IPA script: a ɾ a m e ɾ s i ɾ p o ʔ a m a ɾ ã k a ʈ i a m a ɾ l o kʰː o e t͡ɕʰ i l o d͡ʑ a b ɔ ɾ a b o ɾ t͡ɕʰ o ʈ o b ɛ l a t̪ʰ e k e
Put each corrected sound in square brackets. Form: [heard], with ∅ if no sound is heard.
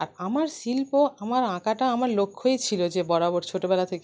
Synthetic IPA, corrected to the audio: a ɾ a m [a] ɾ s i [l] p o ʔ a m a ɾ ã k a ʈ [a] a m a ɾ l o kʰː o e t͡ɕʰ i l o d͡ʑ [e] b ɔ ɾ a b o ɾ t͡ɕʰ o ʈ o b ɛ l a t̪ʰ e k e